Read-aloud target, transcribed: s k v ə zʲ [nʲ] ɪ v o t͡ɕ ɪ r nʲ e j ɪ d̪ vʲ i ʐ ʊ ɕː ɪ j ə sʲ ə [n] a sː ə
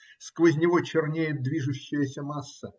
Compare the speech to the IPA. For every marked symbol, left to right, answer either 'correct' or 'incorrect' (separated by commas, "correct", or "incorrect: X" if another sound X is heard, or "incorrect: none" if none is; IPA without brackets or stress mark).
correct, incorrect: m